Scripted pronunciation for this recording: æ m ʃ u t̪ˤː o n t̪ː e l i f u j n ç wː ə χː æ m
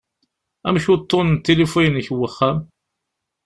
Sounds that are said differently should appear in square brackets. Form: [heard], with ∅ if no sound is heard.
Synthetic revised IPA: æ m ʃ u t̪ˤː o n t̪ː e l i f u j n ç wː ə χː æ m